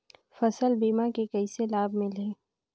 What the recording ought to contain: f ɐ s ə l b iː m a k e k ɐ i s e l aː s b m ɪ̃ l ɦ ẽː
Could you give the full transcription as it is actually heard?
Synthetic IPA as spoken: f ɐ s ə l b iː m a k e k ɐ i s e l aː b m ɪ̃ l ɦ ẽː